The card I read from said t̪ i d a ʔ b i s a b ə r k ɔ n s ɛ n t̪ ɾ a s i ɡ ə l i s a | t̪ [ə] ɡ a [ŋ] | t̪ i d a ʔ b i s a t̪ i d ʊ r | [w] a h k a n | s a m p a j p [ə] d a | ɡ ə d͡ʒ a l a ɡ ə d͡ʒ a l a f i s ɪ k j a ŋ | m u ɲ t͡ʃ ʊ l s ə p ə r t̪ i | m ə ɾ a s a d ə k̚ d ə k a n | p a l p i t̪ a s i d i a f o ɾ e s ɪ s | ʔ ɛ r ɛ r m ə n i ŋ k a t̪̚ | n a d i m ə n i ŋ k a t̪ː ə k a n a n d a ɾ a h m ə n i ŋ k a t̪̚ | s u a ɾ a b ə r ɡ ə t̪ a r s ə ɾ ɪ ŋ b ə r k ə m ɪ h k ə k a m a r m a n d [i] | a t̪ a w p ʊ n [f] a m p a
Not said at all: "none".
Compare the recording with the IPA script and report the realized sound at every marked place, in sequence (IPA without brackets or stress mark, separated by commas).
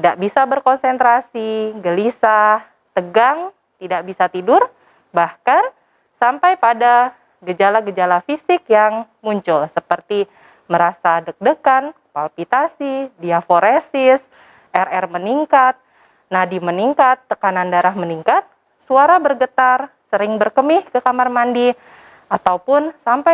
ə, ŋ, b, a, i, s